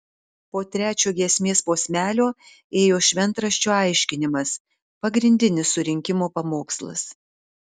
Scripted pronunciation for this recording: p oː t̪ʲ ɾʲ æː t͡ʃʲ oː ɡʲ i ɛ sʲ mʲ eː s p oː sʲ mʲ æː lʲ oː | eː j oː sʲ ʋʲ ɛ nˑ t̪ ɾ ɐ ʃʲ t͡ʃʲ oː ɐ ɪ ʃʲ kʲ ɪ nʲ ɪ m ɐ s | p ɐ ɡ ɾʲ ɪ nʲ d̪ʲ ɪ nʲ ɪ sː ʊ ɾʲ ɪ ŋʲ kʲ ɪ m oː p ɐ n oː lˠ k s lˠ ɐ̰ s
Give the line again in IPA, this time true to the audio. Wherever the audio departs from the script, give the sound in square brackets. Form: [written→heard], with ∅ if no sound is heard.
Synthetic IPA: p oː t̪ʲ ɾʲ æː t͡ʃʲ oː ɡʲ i ɛ sʲ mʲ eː s p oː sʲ mʲ æː lʲ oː | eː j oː [sʲ→ʃʲ] ʋʲ ɛ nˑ t̪ ɾ ɐ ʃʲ t͡ʃʲ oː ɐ ɪ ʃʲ kʲ ɪ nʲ ɪ m ɐ s | p ɐ ɡ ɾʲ ɪ nʲ d̪ʲ ɪ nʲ ɪ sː ʊ ɾʲ ɪ ŋʲ kʲ ɪ m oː p ɐ [n→m] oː [lˠ→∅] k s lˠ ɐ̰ s